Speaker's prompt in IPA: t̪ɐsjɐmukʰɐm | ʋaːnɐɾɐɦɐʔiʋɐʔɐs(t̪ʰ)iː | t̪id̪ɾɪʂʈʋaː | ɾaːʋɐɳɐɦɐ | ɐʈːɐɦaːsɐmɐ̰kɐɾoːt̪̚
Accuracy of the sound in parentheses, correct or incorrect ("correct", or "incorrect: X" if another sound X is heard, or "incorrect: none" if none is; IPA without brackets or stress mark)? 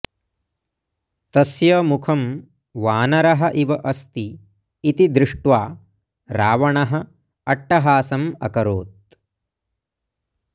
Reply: incorrect: t̪